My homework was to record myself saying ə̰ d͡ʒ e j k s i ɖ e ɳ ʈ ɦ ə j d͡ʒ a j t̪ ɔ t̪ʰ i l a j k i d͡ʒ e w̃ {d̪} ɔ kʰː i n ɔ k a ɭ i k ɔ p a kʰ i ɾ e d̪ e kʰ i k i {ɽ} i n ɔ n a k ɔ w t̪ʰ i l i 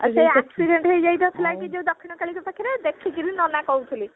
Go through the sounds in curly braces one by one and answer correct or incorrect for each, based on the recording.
correct, incorrect: ɾ

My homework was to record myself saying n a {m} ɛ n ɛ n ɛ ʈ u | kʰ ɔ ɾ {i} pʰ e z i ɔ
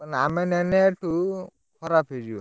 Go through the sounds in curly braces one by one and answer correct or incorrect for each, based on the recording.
correct, incorrect: a

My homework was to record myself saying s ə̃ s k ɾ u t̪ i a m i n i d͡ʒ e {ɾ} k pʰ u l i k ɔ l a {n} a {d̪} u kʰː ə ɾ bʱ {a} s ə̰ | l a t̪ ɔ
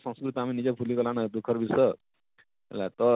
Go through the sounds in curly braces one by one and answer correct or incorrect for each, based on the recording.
incorrect: none, correct, correct, incorrect: i

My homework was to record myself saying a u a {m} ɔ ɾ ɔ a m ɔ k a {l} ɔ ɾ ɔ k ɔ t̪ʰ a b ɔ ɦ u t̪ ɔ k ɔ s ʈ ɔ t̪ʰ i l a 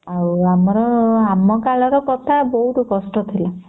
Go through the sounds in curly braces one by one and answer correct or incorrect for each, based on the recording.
correct, correct

